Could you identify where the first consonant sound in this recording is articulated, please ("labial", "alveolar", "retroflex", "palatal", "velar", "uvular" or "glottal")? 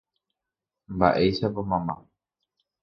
labial